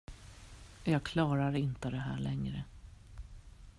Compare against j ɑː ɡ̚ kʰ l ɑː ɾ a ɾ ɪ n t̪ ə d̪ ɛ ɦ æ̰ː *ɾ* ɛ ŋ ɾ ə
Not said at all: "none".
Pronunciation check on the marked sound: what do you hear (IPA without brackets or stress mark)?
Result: ɭ